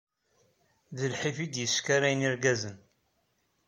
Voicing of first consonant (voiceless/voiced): voiced